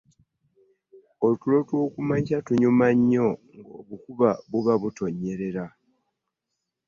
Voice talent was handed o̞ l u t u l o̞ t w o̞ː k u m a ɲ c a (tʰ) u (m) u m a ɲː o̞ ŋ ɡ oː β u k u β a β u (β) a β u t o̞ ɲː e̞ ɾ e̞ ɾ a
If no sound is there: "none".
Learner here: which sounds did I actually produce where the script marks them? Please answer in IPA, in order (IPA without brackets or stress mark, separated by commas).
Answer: t, ɲ, β